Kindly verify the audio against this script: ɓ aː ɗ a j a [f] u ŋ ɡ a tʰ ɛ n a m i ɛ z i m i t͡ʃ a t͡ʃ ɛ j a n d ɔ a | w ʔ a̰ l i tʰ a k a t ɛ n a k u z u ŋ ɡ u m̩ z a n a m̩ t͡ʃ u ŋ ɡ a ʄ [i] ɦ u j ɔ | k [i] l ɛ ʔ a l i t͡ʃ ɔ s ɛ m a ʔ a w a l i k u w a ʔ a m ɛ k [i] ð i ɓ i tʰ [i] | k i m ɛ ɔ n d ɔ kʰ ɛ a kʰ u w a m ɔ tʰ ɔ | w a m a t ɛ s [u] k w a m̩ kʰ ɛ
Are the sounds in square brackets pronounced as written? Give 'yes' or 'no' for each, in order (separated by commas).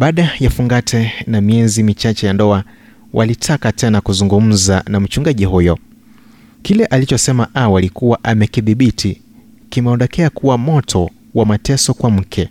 yes, yes, yes, yes, yes, no